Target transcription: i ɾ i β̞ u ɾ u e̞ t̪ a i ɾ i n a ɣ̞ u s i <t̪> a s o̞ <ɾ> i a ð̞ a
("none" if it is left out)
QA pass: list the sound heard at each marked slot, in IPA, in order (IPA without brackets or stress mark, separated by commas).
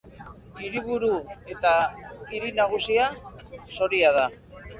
none, ɾ